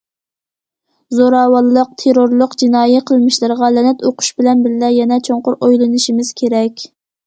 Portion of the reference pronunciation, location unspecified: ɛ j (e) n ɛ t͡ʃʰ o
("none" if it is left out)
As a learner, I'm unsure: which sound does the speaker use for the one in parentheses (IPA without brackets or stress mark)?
ɛ